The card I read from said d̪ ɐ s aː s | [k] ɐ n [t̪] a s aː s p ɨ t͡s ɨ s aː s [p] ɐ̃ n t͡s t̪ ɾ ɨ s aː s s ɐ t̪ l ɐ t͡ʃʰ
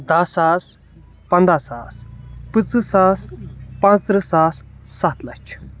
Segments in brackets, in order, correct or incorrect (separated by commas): incorrect, incorrect, correct